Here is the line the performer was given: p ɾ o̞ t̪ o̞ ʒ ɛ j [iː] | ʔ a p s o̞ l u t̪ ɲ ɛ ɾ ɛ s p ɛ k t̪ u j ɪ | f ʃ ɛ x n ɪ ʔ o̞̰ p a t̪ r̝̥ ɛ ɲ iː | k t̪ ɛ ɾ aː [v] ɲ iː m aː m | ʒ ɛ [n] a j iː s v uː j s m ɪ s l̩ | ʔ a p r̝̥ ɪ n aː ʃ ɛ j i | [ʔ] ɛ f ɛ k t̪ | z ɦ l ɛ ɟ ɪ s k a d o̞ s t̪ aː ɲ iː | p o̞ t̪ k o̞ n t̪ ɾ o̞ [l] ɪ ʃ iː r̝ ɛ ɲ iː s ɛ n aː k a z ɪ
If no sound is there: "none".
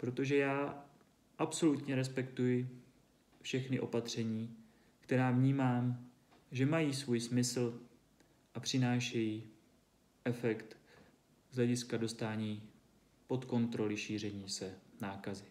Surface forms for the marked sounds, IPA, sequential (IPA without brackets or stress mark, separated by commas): aː, v, m, ʔ, l